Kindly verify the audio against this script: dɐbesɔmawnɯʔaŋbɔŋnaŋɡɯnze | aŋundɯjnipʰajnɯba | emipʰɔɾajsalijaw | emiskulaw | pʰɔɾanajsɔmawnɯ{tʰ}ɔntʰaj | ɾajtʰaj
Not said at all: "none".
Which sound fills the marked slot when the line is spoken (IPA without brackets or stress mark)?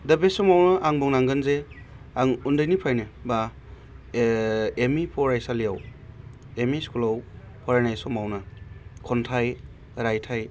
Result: kʰ